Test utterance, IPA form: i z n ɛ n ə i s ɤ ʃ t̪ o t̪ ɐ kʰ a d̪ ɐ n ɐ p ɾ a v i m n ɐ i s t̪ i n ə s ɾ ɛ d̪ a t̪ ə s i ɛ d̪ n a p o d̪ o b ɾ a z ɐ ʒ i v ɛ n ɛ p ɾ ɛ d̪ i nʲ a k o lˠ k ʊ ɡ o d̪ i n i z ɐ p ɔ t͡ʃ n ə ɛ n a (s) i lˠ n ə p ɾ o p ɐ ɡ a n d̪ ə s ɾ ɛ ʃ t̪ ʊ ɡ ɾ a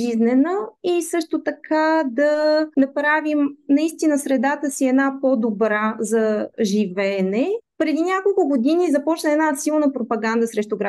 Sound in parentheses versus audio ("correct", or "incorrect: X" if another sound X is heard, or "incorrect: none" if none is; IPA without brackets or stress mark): correct